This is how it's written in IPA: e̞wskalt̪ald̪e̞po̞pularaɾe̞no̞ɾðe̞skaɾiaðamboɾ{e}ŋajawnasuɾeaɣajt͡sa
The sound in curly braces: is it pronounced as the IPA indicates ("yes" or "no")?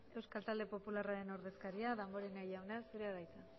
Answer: yes